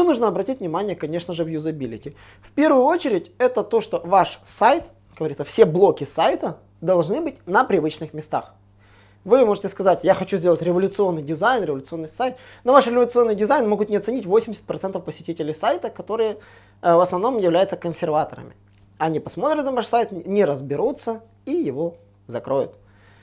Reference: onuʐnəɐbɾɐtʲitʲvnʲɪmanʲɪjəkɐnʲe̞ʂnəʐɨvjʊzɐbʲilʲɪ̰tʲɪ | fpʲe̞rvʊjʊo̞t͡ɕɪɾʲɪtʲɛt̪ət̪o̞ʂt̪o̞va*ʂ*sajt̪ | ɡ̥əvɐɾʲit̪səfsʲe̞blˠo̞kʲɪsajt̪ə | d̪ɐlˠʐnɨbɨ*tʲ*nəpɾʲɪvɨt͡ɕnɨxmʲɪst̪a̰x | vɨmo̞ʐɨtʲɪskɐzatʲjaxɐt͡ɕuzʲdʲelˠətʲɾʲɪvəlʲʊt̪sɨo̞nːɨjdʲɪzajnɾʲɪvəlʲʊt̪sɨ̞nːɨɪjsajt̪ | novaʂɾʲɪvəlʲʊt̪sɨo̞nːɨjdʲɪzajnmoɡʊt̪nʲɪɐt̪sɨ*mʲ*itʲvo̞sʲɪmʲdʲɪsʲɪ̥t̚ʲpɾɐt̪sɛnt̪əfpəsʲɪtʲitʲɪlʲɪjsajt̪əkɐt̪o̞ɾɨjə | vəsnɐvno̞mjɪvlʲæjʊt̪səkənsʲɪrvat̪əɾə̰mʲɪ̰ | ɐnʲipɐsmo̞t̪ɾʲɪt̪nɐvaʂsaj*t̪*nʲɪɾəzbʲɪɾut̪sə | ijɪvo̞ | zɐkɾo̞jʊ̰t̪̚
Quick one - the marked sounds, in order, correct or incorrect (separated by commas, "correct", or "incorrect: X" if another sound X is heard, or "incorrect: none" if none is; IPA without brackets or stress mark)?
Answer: correct, correct, incorrect: nʲ, correct